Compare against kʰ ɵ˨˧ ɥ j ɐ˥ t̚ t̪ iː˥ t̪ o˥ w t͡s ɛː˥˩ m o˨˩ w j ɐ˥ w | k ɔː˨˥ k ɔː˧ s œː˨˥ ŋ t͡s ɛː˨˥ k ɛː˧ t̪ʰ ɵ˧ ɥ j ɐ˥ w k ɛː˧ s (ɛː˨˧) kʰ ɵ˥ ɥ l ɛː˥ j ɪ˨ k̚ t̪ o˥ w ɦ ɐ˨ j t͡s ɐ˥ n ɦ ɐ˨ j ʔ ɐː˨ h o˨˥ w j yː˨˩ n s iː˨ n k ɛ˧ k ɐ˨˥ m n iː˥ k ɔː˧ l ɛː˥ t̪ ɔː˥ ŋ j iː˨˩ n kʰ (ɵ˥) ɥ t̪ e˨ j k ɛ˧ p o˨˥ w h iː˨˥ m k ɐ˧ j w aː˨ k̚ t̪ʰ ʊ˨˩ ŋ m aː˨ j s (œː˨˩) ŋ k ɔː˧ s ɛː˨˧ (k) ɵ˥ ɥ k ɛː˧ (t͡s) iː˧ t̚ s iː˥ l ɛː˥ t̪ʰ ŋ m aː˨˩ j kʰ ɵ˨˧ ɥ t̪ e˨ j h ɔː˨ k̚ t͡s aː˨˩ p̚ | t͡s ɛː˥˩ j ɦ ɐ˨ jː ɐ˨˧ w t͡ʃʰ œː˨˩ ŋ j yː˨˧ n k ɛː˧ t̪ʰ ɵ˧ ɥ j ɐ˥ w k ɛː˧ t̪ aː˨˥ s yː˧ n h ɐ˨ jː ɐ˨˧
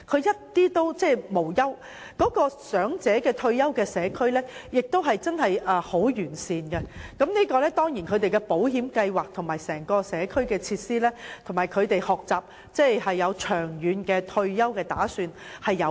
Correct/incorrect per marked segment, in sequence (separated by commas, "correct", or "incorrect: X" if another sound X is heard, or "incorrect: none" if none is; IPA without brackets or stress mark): correct, incorrect: ɵ˨˧, incorrect: ɛː˨˩, incorrect: kʰ, incorrect: t͡sʰ